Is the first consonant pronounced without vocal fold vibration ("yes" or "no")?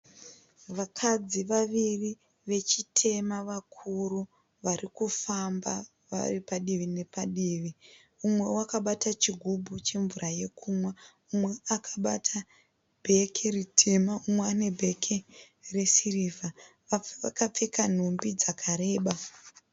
no